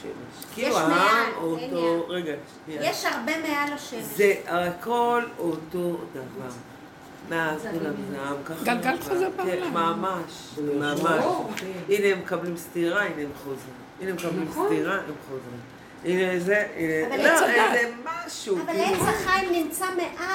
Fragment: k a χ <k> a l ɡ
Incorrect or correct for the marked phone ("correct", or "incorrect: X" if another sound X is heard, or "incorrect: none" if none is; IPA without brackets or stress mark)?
incorrect: ɡ